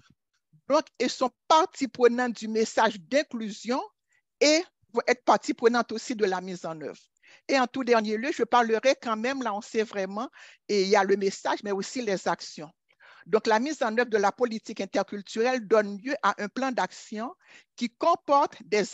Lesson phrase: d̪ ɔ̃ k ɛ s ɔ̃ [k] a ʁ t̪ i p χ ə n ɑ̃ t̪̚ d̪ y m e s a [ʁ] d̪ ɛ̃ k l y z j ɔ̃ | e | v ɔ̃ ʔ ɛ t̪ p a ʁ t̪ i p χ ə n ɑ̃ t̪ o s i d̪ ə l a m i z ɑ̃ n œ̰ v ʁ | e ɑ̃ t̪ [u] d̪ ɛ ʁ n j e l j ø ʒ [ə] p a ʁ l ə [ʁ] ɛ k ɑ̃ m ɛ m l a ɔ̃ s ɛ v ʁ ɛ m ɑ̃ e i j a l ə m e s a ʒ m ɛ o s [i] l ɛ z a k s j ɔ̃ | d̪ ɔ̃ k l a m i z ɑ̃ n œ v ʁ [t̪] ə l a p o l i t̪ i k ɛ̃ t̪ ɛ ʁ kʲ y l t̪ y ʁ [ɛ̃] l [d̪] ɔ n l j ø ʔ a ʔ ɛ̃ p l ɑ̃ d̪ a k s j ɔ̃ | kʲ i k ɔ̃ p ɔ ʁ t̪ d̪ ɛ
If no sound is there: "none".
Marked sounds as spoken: p, ʒ, u, ə, ʁ, i, d̪, ɛ, d̪

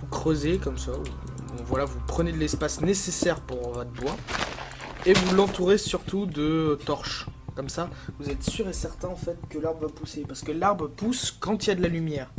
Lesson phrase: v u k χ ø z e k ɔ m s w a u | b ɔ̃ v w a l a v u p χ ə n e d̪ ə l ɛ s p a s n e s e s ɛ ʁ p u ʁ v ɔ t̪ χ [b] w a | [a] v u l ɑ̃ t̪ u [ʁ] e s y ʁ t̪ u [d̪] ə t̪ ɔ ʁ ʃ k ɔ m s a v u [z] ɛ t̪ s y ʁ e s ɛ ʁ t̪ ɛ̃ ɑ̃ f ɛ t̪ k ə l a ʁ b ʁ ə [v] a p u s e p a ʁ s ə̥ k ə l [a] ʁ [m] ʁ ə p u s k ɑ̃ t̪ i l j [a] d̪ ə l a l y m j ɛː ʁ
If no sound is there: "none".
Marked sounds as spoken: b, e, ʁ, d̪, z, v, a, b, a

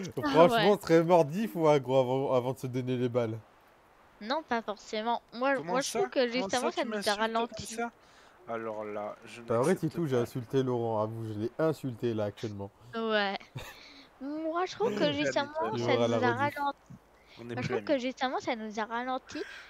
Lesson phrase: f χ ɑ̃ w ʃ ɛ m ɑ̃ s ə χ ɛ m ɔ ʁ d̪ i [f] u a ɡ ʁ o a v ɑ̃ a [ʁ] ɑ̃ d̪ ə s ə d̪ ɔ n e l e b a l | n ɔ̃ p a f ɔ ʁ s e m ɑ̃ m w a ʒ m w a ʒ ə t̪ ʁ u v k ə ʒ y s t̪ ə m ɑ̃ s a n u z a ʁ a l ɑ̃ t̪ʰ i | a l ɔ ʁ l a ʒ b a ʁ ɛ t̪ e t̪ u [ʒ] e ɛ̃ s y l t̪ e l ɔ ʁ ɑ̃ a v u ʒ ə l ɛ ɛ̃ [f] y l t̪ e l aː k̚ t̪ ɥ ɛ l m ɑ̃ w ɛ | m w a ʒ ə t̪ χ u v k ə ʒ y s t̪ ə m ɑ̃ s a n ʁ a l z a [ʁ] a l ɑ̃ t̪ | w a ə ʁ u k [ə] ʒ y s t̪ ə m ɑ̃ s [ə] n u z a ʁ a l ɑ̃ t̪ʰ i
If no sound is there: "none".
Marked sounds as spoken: f, v, ʒ, s, ʁ, ə, a

